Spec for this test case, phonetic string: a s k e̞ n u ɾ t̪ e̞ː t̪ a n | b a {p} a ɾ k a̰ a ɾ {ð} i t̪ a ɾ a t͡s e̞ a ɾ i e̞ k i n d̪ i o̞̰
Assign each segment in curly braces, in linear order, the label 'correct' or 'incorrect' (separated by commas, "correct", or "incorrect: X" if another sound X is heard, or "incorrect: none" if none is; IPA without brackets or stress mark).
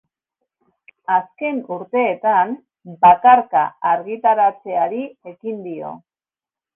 incorrect: k, incorrect: ɣ